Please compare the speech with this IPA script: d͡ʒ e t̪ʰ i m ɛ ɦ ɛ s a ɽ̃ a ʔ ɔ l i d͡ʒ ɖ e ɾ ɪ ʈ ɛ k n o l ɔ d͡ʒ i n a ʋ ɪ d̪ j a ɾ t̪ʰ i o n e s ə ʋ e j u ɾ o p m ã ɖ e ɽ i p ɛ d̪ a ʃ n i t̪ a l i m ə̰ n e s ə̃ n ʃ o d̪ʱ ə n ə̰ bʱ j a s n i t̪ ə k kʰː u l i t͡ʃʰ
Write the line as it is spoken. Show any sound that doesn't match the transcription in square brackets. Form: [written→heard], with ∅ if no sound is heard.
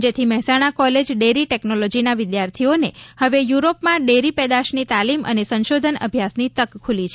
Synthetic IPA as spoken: d͡ʒ e t̪ʰ i m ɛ ɦ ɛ s a ɽ̃ a [ʔ→k] ɔ l [i→e] d͡ʒ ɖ e ɾ [ɪ→i] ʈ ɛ k n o l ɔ d͡ʒ i n a ʋ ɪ d̪ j a ɾ t̪ʰ i o n e [s→h] ə ʋ e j u ɾ o p m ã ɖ e [ɽ→ɾ] i p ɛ d̪ a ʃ n i t̪ a l i m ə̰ n e s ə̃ n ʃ o d̪ʱ ə n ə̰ bʱ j a s n i t̪ ə k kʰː u l i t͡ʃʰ